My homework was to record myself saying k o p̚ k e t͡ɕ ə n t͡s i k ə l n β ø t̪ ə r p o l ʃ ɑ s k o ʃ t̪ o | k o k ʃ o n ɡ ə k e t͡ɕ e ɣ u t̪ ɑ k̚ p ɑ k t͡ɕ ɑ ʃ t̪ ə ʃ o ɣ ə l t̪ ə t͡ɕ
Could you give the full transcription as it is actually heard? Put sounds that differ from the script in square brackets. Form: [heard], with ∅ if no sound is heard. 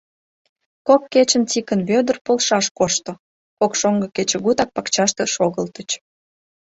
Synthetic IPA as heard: k o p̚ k e t͡ɕ ə n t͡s i k ə [∅] n β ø [d̪] ə r p o l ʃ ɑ [ʃ] k o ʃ t̪ o | k o k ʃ o [ŋ] ɡ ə k e t͡ɕ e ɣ u t̪ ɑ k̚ p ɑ k t͡ɕ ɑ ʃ t̪ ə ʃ o ɣ ə l t̪ ə t͡ɕ